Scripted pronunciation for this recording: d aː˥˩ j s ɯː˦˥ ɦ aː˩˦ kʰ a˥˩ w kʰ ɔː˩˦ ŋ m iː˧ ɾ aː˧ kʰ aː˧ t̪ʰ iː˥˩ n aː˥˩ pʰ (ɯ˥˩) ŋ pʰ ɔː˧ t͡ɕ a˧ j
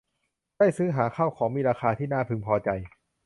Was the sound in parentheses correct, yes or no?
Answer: no